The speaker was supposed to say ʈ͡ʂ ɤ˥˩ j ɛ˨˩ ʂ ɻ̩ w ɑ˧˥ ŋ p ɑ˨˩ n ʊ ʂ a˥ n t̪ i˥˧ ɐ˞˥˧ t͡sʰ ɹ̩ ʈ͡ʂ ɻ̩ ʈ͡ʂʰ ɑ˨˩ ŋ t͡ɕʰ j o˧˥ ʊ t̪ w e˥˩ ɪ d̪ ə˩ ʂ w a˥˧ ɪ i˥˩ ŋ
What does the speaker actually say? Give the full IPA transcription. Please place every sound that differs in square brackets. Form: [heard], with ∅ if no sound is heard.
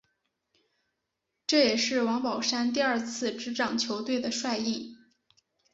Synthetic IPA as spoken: ʈ͡ʂ ɤ˥˩ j ɛ˨˩ ʂ ɻ̩ w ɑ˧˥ ŋ p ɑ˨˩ [∅] ʊ ʂ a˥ n t̪ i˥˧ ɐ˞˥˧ t͡sʰ ɹ̩ ʈ͡ʂ ɻ̩ [ʈ͡ʂ] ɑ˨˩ ŋ t͡ɕʰ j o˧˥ ʊ t̪ w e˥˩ ɪ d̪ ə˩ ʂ w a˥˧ ɪ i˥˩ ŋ